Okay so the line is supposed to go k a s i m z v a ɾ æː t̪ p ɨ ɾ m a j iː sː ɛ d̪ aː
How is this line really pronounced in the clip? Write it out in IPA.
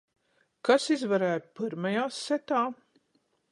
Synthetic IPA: k a s i z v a ɾ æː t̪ p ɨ ɾ m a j aː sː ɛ t̪ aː